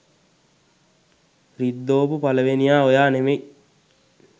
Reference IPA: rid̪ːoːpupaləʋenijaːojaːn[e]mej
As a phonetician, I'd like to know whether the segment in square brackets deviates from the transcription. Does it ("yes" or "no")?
no